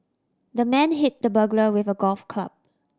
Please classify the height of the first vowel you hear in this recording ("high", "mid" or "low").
mid